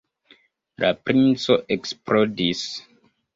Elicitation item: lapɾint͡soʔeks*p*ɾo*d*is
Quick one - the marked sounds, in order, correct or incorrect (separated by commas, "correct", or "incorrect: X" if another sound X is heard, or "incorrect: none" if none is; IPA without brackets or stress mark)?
correct, correct